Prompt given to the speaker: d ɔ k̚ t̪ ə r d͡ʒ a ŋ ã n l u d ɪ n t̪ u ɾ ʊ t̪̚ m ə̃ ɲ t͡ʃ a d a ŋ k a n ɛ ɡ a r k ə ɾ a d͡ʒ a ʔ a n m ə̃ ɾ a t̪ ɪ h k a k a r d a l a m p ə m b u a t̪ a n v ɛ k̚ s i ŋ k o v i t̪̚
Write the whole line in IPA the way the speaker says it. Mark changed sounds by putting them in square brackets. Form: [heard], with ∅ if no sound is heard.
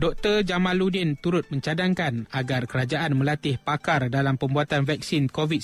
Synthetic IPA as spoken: d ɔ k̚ t̪ ə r d͡ʒ a [m] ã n l u d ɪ n t̪ u ɾ ʊ t̪̚ m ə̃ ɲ t͡ʃ a d a ŋ k a n [a] ɡ a r k ə ɾ a d͡ʒ a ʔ a n m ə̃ [l] a t̪ ɪ h [p] a k a r d a l a m p ə m b u a t̪ a n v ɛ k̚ s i [n] k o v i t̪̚